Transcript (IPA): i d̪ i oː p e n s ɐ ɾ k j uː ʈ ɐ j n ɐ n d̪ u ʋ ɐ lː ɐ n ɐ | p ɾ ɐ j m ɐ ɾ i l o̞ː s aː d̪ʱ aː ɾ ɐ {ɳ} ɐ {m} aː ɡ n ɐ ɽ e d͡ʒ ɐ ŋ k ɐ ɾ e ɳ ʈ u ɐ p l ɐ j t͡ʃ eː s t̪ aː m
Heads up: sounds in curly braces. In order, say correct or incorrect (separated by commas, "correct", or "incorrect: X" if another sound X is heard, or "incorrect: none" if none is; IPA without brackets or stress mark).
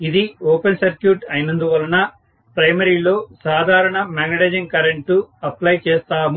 correct, correct